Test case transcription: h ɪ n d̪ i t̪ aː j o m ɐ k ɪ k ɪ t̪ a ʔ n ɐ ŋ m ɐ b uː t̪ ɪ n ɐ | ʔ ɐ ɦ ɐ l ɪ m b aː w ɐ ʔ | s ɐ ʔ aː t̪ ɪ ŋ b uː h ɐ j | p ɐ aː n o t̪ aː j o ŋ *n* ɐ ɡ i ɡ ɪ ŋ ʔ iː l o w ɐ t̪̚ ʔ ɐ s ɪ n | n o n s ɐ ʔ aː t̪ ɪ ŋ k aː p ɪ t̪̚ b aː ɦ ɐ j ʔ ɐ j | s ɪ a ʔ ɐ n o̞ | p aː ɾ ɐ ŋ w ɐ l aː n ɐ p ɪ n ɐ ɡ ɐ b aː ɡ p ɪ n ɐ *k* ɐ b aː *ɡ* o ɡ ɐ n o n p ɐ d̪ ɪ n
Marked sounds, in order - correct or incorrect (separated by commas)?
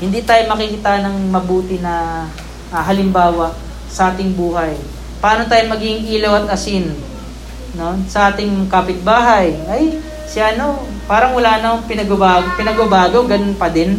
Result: incorrect, incorrect, correct